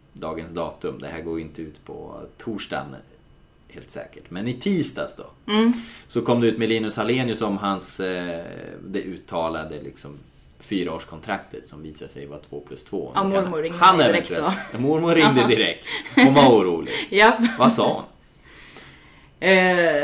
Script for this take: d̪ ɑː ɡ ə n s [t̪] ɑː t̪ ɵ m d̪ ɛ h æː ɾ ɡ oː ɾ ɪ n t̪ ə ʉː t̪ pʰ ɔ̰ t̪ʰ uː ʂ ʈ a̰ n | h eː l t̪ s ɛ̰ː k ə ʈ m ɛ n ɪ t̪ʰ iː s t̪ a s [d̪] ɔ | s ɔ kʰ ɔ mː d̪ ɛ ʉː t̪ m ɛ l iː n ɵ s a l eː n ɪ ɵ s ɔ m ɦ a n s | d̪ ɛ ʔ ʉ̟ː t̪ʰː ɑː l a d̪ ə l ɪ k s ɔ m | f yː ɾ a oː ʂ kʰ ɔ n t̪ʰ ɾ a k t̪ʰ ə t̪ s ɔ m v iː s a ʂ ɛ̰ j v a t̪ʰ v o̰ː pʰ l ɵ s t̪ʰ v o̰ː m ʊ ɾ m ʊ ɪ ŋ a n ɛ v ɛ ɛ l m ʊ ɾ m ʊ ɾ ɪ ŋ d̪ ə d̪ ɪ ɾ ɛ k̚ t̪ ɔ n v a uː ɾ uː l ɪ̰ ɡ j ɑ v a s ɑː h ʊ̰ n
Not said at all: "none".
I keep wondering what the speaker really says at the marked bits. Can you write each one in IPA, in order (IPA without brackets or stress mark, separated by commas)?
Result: d̪, d̪